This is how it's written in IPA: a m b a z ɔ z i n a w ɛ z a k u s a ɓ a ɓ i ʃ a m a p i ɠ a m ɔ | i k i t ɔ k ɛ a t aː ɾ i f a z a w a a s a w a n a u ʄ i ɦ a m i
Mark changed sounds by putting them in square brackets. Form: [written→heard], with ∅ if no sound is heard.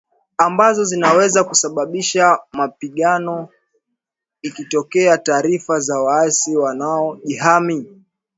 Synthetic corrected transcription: a m b a z ɔ z i n a w ɛ z a k u s a ɓ a ɓ i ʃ a m a p i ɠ a [m→n] ɔ | i k i t ɔ k ɛ a t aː ɾ i f a z a w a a s [a→i] w a n a [u→ɔ] ʄ i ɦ a m i

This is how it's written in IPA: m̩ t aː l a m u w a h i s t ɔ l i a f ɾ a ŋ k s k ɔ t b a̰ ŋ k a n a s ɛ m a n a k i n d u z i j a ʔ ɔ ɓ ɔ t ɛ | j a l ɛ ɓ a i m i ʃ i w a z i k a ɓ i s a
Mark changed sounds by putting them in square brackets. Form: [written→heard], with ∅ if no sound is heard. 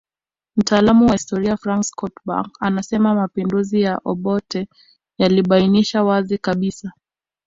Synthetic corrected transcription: m̩ t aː l a m u w a h i s t ɔ [l→ɾ] i a f ɾ a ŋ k s k ɔ t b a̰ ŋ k a n a s ɛ m a [n→m] a [k→p] i n d u z i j a ʔ ɔ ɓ ɔ t ɛ | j a l [ɛ→i] ɓ a i [m→n] i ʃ [i→a] w a z i k a ɓ i s a

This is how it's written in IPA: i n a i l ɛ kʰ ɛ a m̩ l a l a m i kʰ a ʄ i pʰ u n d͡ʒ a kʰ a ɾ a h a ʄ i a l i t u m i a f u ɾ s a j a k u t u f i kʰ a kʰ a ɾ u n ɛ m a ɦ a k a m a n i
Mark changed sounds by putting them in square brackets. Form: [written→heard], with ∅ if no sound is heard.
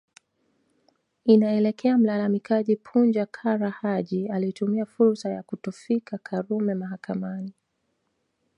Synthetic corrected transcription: i n a [i→ɛ] l ɛ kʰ ɛ a m̩ l a l a m i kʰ a ʄ i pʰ u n d͡ʒ a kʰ a ɾ a h a ʄ i a l i t u m i a f u ɾ s a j a k u t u f i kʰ a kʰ a ɾ u [n→m] ɛ m a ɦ a k a m a n i

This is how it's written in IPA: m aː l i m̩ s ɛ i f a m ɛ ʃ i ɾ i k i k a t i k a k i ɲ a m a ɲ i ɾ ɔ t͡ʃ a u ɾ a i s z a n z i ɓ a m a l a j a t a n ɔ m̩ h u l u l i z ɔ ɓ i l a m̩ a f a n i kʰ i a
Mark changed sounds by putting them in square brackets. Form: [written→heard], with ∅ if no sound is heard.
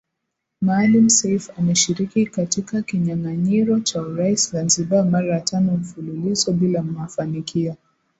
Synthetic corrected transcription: m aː l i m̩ s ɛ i f a m ɛ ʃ i ɾ i k i k a t i k a k i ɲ a [m→ŋ] a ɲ i ɾ ɔ t͡ʃ a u ɾ a i s z a n z i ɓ a m a [l→ɾ] a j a t a n ɔ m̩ [h→f] u l u l i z ɔ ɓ i l a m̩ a f a n i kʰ i a

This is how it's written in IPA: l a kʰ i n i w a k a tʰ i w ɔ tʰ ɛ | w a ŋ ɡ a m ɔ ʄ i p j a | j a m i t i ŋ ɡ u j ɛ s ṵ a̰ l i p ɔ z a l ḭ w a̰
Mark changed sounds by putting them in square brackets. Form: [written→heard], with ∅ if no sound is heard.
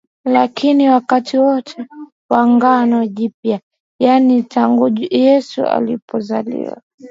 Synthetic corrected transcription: l a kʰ i n i w a k a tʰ i w ɔ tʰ ɛ | w a ŋ ɡ a [m→n] ɔ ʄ i p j a | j a [m→n] i t [i→a] ŋ ɡ u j ɛ s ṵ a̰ l i p ɔ z a l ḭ w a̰

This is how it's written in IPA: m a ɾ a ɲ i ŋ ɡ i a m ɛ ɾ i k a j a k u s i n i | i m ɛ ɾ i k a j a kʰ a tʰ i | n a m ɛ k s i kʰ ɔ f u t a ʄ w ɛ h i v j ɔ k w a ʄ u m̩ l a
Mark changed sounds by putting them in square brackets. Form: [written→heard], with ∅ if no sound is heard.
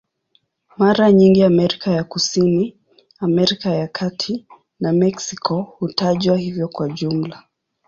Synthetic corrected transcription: m a ɾ a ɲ i ŋ ɡ i a m ɛ ɾ i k a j a k u s i n i | [i→a] m ɛ ɾ i k a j a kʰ a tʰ i | n a m ɛ k s i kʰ ɔ [f→h] u t a ʄ w [ɛ→a] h i v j ɔ k w a ʄ u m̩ l a

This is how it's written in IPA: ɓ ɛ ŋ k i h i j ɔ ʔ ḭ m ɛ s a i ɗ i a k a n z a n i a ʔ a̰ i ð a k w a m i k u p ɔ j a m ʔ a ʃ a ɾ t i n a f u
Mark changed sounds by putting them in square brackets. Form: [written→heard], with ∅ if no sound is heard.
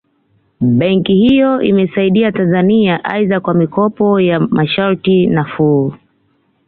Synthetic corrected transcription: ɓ ɛ ŋ k i h i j ɔ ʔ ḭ m ɛ s a i ɗ i a [k→t] a n z a n i a ʔ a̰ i ð a k w a m i k [u→ɔ] p ɔ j a m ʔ a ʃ a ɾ t i n a f u

